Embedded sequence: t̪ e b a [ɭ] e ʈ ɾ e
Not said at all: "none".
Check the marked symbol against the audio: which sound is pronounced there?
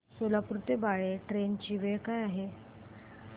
ɭ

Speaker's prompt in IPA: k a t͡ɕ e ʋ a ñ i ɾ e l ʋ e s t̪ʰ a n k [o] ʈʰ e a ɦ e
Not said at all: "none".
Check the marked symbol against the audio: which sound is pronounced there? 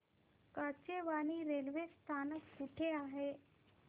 u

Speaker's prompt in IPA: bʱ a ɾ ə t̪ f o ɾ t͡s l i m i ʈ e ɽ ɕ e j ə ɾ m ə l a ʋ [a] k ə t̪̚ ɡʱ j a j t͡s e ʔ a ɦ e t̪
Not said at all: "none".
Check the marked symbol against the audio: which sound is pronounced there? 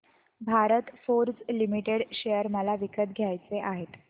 i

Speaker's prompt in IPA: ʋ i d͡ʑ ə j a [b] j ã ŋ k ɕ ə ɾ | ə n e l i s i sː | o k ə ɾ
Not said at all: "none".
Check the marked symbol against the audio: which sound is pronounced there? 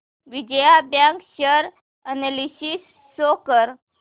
b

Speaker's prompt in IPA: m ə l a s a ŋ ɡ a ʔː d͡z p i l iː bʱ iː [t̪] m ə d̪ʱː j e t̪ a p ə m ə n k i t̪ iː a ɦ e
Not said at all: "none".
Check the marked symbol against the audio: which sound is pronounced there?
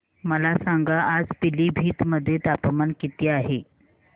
t̪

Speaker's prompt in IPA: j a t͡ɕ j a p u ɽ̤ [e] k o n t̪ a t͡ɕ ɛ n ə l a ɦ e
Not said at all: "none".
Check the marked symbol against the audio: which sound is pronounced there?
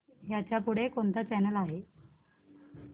e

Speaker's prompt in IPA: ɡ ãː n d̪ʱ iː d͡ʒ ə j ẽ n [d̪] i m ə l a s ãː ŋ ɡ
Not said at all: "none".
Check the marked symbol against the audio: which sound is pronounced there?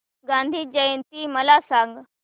t̪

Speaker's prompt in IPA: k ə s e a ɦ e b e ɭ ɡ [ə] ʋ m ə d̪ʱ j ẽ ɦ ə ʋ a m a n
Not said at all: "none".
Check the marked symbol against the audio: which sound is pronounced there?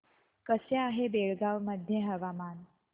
a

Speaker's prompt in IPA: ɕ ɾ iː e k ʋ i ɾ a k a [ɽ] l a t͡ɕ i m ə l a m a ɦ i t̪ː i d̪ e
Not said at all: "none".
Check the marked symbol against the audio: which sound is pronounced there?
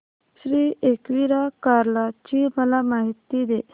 ɾ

